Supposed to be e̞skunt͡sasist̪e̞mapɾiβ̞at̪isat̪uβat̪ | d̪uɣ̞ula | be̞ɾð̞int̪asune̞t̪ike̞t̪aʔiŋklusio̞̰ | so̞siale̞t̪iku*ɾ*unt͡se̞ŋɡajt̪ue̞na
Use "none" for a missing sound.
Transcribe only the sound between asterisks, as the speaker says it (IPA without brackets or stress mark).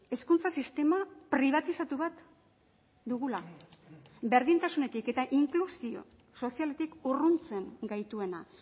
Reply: r